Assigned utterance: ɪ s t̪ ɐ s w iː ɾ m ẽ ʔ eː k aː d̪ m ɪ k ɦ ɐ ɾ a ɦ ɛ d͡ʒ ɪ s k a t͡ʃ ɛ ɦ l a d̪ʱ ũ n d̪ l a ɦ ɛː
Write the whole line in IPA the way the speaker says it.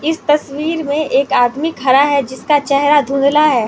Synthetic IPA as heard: ɪ s t̪ ɐ s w iː ɾ m ẽ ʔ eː k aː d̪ m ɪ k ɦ ɐ ɾ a ɦ ɛ d͡ʒ ɪ s k a t͡ʃ ɛ ɦ ɾ a d̪ʱ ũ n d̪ l a ɦ ɛː